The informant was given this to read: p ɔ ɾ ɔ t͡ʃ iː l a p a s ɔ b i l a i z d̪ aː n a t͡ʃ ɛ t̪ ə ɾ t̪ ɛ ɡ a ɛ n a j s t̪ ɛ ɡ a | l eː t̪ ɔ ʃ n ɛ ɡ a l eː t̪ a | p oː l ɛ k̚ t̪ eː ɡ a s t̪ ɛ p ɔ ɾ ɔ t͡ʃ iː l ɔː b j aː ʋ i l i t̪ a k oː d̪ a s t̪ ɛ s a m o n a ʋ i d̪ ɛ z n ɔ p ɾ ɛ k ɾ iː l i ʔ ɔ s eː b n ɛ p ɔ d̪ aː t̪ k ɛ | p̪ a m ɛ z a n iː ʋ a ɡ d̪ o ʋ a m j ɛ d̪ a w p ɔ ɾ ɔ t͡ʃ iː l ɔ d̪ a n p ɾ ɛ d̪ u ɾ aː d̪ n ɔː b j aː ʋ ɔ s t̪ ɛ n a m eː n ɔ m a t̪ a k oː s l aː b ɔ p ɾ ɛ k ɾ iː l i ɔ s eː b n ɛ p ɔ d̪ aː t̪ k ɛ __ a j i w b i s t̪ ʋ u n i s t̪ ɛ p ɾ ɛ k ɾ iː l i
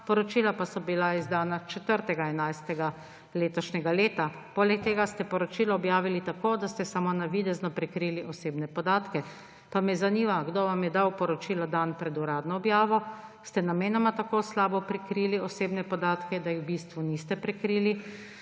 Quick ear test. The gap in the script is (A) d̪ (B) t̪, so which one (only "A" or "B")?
A